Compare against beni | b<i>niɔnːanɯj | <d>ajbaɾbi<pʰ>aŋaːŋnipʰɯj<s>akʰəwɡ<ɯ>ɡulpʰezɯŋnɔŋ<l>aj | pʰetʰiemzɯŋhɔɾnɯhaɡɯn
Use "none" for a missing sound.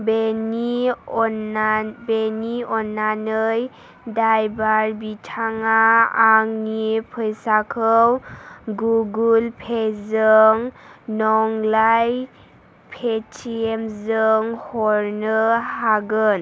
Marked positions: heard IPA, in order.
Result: e, d, tʰ, s, u, l

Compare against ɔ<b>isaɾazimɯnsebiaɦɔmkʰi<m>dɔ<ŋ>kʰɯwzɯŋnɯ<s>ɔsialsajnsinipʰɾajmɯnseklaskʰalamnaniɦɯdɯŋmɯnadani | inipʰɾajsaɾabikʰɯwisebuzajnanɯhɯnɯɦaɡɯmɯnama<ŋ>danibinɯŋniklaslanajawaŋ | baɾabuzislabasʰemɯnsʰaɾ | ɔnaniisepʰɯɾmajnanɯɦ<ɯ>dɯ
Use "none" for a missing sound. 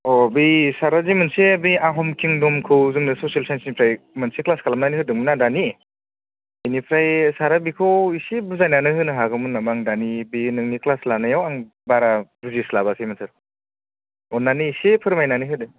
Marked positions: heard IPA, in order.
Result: b, ŋ, m, s, ŋ, ɯ

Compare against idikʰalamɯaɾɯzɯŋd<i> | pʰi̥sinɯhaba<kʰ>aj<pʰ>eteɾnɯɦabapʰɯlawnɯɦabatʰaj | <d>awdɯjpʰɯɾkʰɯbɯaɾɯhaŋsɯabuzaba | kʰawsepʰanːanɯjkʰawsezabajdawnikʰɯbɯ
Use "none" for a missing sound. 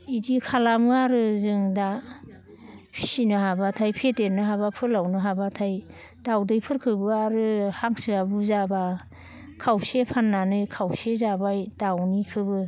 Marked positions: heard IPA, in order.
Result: a, tʰ, pʰ, d

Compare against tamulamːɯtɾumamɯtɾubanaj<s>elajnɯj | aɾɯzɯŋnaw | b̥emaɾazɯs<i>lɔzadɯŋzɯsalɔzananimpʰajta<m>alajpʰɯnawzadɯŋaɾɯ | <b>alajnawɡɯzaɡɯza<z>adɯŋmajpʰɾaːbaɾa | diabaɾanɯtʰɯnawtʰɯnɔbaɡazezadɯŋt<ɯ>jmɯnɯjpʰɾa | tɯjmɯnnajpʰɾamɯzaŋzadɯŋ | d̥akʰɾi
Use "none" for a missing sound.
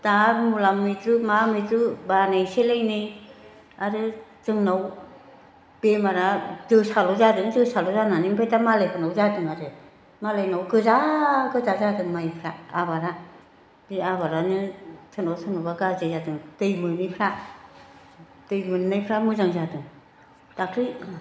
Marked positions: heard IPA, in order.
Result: s, a, m, m, z, ɯ

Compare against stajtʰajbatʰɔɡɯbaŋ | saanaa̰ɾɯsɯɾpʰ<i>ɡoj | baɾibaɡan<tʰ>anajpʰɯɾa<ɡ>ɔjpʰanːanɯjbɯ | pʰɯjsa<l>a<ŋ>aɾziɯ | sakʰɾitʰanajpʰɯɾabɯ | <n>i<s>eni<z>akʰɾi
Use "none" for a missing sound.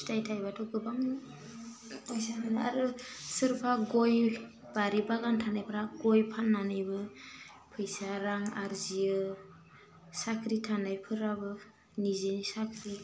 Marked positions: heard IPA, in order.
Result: a, tʰ, ɡ, ɾ, ŋ, n, z, s

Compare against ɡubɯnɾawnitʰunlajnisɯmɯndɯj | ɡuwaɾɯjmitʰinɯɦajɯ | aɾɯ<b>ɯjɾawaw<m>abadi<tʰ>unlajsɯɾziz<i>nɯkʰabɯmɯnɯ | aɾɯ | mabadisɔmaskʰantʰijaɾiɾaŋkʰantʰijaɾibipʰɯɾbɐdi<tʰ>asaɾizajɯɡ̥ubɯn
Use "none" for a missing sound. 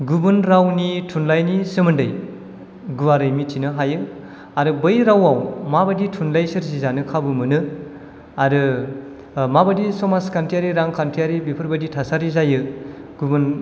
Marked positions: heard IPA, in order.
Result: b, m, tʰ, a, tʰ

